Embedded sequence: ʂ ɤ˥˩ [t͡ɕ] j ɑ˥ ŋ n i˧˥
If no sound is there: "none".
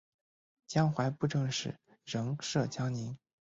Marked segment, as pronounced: t͡ɕ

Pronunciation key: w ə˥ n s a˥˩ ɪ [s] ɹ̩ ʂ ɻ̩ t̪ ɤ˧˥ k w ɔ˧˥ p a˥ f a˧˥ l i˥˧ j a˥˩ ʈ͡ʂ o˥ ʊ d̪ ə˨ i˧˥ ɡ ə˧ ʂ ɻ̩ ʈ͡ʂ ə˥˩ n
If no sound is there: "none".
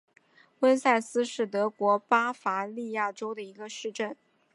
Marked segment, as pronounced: s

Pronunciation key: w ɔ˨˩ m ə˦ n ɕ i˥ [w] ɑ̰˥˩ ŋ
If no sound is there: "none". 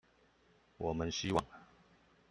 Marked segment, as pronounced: w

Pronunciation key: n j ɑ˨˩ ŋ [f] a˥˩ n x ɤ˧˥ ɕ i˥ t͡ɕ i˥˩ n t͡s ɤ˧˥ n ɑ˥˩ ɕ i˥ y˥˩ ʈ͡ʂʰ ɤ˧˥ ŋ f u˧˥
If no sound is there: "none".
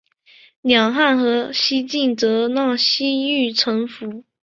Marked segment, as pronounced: x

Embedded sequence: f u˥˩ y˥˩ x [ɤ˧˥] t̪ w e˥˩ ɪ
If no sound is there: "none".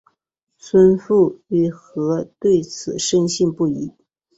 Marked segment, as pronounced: ɤ˧˥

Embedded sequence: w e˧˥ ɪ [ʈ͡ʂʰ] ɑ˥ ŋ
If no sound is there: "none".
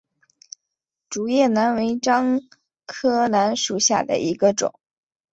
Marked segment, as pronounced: ʈ͡ʂ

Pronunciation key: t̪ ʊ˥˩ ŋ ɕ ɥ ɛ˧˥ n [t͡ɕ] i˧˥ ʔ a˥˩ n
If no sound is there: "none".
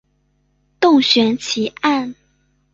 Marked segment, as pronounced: t͡ɕʰ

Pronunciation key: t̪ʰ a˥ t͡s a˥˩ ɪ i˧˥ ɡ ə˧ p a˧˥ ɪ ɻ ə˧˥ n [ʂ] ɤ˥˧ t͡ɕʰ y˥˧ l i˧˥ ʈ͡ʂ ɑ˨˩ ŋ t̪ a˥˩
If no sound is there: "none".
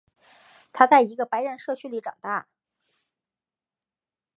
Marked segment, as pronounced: ʂ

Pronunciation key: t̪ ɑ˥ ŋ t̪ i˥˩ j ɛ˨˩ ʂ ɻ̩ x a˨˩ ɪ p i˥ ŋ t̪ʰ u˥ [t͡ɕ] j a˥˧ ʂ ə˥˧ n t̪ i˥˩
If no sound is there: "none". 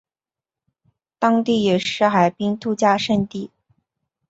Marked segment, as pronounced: t͡ɕ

